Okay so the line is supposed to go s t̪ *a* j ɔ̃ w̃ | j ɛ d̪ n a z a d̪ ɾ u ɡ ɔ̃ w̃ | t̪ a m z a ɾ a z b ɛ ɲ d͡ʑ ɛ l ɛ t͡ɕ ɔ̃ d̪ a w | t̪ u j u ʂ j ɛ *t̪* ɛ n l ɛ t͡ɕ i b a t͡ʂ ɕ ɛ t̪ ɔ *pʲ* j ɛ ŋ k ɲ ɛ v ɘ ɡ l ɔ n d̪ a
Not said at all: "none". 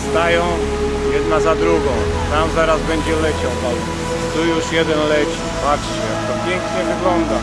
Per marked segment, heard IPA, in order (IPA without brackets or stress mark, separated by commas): a, d̪, pʲ